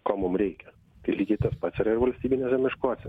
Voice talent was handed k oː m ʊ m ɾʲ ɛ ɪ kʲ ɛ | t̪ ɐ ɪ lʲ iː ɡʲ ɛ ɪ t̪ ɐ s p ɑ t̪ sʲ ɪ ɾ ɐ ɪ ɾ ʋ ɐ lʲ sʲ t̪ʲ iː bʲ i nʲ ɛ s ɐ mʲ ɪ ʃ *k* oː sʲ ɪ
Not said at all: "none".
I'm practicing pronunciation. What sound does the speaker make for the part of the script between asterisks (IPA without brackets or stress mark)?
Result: k